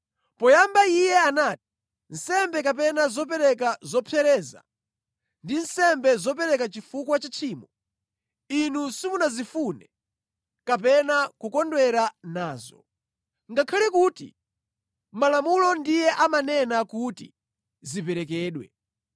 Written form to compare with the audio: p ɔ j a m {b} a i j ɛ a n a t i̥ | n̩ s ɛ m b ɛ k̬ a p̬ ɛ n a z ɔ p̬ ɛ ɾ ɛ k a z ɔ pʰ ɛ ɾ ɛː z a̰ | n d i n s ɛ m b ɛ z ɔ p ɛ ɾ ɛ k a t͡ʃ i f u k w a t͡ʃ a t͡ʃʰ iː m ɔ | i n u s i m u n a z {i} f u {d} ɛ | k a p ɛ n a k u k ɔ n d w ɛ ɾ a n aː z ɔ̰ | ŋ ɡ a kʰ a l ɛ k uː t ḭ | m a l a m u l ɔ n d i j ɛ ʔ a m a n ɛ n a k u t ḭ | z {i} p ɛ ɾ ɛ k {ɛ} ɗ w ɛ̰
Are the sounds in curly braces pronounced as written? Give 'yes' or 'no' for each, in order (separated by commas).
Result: yes, yes, no, yes, no